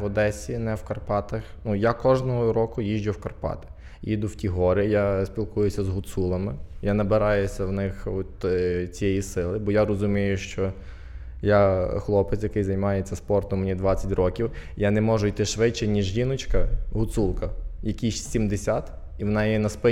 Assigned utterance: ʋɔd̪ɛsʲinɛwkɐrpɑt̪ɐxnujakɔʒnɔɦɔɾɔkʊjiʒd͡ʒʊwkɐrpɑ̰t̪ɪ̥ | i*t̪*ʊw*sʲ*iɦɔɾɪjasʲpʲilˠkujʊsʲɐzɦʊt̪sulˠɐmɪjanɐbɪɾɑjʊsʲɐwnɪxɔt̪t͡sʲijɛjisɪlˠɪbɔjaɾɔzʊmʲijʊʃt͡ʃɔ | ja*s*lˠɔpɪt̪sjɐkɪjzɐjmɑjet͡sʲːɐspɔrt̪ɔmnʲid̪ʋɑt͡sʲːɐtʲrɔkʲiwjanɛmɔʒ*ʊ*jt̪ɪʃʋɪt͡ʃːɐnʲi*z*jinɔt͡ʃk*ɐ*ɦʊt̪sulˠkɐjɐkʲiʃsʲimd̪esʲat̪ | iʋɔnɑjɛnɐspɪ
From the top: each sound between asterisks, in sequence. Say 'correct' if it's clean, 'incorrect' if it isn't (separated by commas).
incorrect, incorrect, incorrect, correct, incorrect, correct